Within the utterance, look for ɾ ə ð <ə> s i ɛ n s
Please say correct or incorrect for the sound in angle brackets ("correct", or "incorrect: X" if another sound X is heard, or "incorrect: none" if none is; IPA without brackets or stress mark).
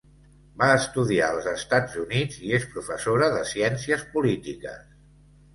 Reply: correct